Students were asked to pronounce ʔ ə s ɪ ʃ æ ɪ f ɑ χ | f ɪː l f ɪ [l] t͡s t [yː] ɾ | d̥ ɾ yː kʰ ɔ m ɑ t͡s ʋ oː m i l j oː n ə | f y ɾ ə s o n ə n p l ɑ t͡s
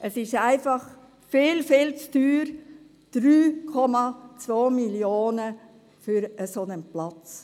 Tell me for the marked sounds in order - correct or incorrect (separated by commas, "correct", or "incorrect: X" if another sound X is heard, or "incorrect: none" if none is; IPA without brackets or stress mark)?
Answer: correct, correct